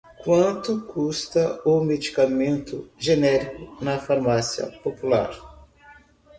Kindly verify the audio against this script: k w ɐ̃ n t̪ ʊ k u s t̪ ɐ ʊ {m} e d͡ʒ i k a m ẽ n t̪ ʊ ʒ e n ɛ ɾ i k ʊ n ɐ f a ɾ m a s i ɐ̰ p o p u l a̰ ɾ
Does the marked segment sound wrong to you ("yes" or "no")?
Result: no